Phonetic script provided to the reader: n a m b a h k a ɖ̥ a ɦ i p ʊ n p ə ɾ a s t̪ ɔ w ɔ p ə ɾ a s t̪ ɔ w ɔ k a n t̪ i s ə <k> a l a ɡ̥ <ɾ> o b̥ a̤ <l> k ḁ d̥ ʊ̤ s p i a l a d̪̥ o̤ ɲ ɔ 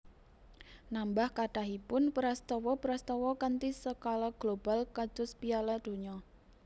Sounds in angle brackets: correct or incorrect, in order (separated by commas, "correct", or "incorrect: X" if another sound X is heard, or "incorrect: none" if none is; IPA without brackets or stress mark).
correct, incorrect: l, correct